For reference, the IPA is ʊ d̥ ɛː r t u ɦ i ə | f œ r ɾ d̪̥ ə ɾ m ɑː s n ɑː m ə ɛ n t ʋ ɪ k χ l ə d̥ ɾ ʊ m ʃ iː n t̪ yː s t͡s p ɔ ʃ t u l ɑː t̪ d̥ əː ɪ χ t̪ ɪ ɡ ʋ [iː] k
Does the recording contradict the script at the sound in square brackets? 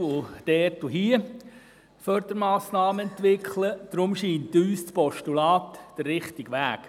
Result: yes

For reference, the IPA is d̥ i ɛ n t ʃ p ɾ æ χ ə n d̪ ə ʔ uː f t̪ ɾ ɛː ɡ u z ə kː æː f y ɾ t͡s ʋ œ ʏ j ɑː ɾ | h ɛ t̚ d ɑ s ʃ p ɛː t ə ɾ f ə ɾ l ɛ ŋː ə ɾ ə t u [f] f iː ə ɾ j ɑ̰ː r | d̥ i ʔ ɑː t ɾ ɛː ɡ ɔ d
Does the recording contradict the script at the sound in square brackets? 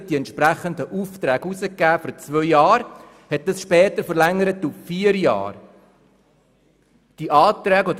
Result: no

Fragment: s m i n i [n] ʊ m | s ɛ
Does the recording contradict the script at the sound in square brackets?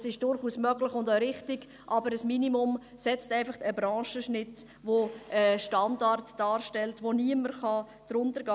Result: yes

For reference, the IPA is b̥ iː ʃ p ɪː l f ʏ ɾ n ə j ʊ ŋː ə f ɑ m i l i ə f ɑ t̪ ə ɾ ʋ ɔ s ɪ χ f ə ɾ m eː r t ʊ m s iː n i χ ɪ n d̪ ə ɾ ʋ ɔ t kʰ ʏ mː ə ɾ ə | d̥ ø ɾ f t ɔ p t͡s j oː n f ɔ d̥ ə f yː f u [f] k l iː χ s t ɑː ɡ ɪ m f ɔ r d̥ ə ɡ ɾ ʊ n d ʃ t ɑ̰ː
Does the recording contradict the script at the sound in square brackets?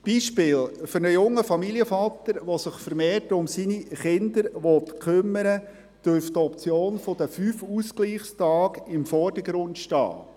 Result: yes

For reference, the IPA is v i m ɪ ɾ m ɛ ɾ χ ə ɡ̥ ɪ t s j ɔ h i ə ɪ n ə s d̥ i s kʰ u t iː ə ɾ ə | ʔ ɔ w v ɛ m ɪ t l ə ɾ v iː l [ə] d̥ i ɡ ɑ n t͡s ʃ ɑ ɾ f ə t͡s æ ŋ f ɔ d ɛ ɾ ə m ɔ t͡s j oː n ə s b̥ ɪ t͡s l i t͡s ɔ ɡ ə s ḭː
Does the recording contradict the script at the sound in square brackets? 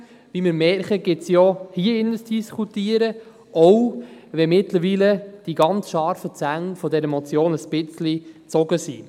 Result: no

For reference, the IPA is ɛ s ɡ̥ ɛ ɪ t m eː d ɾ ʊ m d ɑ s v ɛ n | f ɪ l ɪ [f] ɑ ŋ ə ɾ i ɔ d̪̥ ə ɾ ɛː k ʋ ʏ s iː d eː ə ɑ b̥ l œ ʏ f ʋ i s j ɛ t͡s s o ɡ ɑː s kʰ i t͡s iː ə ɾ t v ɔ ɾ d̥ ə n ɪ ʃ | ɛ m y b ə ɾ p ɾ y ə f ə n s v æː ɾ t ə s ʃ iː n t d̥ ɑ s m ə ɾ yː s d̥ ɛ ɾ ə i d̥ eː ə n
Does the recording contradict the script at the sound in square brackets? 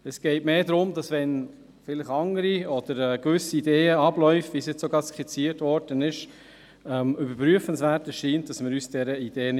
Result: yes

